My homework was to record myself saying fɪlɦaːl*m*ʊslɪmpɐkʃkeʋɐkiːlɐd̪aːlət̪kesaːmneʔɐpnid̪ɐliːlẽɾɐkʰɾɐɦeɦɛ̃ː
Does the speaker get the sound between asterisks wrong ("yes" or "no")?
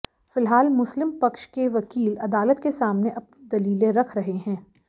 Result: no